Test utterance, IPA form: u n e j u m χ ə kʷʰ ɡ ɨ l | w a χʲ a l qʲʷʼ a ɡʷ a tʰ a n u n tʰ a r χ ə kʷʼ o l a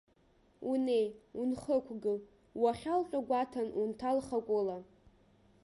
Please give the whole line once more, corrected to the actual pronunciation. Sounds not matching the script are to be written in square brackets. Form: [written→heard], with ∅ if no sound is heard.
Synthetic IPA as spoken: u n e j u [m→n] χ ə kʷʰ ɡ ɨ l | w a χʲ a l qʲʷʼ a ɡʷ a tʰ a n u n tʰ a [r→l] χ [ə→a] kʷʼ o l a